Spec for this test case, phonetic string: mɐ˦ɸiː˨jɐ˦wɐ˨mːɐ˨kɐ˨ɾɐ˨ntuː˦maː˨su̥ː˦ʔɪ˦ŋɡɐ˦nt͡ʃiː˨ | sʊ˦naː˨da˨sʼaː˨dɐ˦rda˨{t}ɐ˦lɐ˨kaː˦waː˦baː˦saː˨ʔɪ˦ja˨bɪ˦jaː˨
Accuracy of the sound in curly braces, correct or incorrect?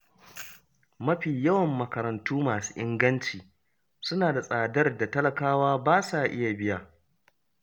correct